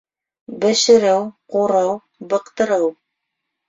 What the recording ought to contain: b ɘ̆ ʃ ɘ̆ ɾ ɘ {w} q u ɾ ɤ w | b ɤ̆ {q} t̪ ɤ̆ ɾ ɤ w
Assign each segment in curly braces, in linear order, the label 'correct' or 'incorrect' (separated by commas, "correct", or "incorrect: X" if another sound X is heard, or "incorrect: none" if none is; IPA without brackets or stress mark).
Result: correct, correct